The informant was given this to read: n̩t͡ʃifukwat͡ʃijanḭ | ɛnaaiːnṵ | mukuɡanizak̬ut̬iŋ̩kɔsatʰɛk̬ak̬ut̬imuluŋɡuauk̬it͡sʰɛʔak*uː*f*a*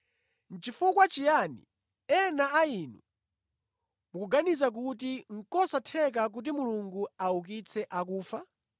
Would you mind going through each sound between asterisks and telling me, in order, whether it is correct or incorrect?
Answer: correct, correct

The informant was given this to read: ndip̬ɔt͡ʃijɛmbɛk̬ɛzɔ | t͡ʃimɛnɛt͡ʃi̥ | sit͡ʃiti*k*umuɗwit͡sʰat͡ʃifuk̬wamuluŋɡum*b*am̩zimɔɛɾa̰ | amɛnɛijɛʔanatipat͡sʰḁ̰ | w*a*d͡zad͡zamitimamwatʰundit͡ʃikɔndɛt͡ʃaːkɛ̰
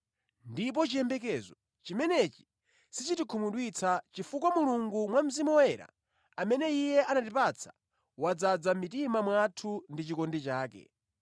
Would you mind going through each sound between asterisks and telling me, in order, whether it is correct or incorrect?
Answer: incorrect, incorrect, correct

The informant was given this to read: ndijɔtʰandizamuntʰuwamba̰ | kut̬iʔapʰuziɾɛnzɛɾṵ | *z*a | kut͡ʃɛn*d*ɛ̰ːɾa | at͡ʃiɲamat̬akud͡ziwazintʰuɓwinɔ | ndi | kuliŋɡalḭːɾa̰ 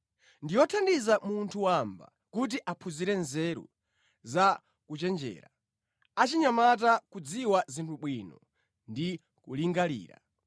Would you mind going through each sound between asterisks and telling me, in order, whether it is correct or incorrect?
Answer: correct, incorrect

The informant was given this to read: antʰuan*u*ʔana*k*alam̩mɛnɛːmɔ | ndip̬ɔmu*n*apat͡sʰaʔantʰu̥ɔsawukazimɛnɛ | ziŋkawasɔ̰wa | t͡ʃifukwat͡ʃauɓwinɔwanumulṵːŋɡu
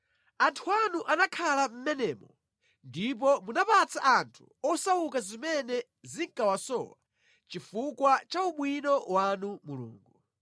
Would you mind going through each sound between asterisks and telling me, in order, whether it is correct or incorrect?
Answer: correct, incorrect, correct

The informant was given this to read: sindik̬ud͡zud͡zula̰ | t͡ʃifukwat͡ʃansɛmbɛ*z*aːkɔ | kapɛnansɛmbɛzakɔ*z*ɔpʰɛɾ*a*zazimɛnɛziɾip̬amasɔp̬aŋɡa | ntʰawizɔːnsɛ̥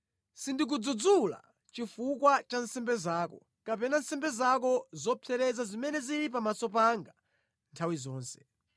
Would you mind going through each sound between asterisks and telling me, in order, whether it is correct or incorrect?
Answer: correct, correct, incorrect

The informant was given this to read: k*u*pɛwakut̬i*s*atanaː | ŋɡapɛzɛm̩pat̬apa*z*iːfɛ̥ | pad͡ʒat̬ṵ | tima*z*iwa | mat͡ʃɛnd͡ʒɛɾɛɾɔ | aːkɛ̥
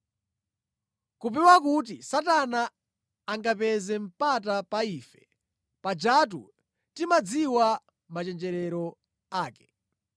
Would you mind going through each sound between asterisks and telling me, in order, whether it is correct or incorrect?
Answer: correct, correct, incorrect, incorrect

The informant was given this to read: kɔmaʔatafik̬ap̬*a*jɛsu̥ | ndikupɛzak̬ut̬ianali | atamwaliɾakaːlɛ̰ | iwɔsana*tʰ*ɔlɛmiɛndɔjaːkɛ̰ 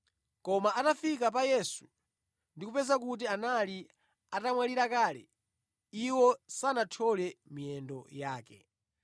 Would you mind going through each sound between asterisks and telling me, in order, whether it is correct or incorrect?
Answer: correct, correct

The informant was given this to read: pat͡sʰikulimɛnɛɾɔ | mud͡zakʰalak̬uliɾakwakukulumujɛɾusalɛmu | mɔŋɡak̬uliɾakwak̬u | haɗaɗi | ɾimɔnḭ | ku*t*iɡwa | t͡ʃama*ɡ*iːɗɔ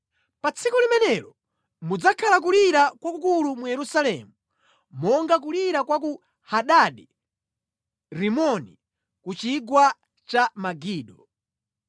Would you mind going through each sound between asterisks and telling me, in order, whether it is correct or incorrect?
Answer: incorrect, correct

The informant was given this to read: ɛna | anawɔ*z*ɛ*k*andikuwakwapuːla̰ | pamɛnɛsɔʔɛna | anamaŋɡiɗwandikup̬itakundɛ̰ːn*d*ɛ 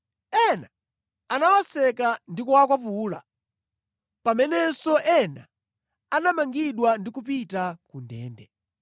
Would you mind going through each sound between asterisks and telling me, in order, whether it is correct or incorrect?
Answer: incorrect, correct, correct

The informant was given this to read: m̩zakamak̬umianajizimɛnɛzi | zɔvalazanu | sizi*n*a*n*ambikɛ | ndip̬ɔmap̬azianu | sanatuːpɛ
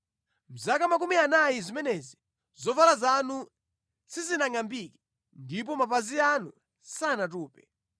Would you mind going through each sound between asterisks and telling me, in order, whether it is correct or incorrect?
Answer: correct, incorrect

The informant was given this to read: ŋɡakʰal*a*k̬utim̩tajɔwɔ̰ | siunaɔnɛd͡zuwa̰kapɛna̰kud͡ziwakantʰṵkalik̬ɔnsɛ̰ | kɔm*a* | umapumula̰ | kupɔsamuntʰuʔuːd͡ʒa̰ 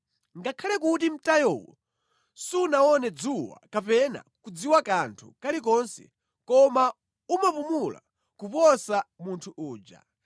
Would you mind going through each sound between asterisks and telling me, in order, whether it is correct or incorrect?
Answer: incorrect, correct

